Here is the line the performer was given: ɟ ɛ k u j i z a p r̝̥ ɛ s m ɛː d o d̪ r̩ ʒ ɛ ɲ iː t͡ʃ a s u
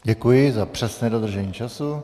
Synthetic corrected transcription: ɟ ɛ k u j ɪ z a p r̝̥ ɛ s n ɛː d o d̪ r̩ ʒ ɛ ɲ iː t͡ʃ a s u

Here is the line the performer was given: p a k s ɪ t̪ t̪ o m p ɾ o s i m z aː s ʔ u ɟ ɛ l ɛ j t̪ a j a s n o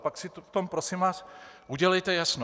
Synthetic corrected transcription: p a k s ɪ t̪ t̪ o m p ɾ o s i m v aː s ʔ u ɟ ɛ l ɛ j t̪ ɛ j a s n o

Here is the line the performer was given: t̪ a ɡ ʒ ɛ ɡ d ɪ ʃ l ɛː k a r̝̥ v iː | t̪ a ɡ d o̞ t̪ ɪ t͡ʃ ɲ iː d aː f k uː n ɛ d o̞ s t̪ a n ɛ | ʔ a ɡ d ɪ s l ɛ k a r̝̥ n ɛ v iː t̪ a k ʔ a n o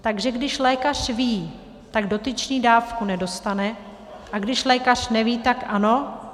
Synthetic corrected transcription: t̪ a ɡ ʒ ɛ ɡ d ɪ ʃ l ɛː k a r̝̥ v iː | t̪ a ɡ d o̞ t̪ ɪ t͡ʃ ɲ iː d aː f k u n ɛ d o̞ s t̪ a n ɛ | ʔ a ɡ d ɪ ʃ l ɛː k a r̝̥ n ɛ v iː t̪ a k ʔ a n o

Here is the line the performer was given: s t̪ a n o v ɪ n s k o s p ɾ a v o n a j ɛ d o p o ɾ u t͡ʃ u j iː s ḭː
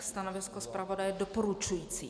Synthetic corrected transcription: s t̪ a n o v ɪ s k o s p ɾ a v o d a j ɛ d o p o ɾ u t͡ʃ u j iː t͡s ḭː

